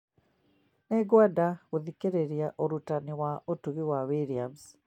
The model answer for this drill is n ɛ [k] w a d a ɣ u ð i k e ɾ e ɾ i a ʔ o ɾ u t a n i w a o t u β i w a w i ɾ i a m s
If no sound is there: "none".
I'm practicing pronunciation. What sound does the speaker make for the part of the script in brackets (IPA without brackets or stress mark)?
ɡ